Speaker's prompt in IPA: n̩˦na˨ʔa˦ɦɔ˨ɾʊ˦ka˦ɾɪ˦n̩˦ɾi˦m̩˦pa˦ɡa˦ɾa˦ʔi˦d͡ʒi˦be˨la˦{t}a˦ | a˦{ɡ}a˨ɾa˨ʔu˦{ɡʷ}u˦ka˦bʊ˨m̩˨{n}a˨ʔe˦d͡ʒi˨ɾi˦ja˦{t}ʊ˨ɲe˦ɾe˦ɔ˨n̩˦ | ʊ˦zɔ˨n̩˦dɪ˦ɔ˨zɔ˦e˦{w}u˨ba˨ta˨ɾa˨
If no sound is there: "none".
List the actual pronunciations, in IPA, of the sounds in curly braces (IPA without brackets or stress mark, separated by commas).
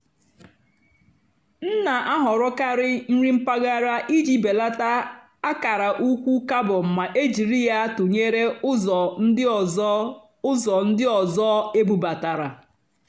t, k, kʷ, m, t, b